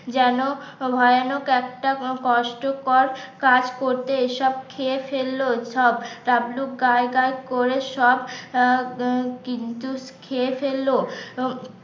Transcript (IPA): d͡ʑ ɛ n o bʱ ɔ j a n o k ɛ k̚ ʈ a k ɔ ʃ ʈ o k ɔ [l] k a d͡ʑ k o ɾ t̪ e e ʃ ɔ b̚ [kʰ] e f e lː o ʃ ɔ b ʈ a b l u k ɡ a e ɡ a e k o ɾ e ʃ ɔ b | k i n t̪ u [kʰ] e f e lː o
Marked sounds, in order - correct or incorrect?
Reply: incorrect: ɾ, correct, correct

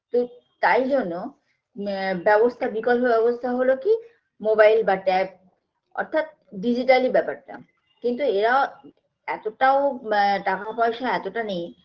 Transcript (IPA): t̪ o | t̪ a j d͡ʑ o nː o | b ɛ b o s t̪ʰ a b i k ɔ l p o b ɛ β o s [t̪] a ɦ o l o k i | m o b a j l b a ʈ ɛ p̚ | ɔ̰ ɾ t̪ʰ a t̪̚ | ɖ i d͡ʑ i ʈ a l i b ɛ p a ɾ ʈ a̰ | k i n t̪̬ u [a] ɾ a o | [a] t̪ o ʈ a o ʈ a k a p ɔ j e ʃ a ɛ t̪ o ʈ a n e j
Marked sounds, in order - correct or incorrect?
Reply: incorrect: t̪ʰ, incorrect: e, incorrect: ɛ

